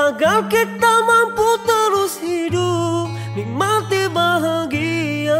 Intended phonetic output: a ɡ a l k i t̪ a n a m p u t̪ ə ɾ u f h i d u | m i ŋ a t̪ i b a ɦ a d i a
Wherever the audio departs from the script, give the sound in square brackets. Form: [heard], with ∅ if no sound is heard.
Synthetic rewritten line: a ɡ a l k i t̪ a [m] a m p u t̪ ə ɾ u [s] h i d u | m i [m] a t̪ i b a ɦ a [ɡ] i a